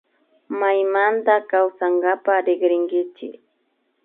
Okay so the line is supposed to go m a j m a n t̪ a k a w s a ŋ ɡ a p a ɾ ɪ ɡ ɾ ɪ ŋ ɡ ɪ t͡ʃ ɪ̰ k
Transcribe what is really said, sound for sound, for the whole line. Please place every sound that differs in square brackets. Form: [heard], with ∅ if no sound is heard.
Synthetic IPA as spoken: m a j m a n t̪ a k a w s a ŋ ɡ a p a ɾ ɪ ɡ ɾ ɪ ŋ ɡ ɪ t͡ʃ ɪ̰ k